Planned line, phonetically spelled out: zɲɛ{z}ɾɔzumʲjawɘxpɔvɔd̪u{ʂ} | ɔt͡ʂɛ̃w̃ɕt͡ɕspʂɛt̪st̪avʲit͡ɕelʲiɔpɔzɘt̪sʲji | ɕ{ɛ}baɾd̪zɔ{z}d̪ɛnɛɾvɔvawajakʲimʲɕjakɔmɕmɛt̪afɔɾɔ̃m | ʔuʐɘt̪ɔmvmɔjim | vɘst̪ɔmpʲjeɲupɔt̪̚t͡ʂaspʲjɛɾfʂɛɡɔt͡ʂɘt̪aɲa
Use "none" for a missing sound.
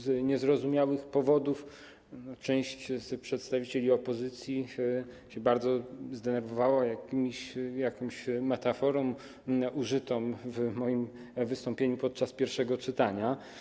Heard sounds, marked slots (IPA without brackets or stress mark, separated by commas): z, f, ɛ, z